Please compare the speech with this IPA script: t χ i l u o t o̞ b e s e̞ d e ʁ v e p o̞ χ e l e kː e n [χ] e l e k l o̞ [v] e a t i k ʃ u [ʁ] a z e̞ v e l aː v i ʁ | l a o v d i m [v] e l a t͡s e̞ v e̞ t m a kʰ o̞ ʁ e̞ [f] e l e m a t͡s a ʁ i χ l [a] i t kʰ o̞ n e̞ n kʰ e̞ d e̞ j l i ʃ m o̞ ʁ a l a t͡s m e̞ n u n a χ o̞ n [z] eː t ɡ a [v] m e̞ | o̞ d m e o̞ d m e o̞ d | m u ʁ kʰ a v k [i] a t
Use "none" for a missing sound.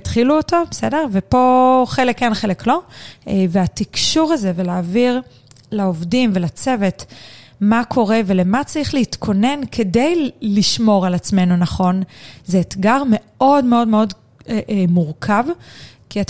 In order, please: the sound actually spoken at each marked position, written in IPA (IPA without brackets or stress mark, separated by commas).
χ, v, ʁ, v, v, e, z, ʁ, i